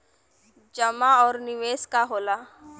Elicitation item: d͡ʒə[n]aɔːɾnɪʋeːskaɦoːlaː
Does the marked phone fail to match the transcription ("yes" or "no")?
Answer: yes